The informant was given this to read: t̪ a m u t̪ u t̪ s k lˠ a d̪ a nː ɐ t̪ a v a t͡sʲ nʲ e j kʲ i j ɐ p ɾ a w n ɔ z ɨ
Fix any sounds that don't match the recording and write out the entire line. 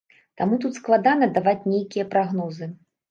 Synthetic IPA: t̪ a m u t̪ u t̪ s k lˠ a d̪ a n ɐ d̪ a v a t͡sʲ nʲ e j kʲ i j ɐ p ɾ a ɣ n ɔ z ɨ